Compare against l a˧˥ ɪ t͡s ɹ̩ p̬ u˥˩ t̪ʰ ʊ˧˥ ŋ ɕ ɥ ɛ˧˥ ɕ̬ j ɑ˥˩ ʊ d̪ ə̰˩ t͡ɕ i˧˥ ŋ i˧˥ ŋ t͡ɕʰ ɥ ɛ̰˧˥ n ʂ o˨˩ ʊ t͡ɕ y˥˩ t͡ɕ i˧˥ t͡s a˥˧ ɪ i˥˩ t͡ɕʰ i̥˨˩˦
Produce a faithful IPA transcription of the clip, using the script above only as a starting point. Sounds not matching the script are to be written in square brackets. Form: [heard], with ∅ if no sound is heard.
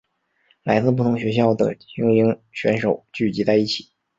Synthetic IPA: l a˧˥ ɪ t͡s ɹ̩ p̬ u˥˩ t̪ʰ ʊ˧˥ ŋ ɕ ɥ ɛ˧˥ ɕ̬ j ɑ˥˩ ʊ d̪ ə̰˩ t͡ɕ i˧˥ ŋ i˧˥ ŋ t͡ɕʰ ɥ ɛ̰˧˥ n ʂ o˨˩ ʊ t͡ɕ y˥˩ t͡ɕ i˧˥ t͡s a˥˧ ɪ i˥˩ t͡ɕʰ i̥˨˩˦